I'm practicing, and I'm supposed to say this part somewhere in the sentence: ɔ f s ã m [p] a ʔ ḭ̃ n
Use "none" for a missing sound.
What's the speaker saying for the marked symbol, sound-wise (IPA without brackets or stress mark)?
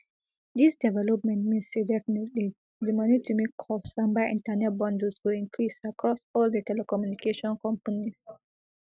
b